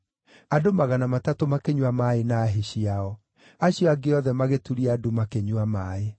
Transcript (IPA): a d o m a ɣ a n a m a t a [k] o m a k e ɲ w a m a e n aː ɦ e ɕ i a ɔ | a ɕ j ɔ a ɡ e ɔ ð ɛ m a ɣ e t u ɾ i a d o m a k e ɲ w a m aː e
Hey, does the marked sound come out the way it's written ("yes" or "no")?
no